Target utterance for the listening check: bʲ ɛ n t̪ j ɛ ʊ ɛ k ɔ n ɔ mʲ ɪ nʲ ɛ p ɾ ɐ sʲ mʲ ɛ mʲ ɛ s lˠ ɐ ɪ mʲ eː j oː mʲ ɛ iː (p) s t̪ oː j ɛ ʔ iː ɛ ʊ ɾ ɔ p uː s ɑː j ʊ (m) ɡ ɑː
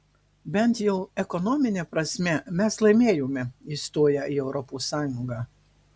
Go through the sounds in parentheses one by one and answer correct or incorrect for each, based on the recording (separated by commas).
incorrect, incorrect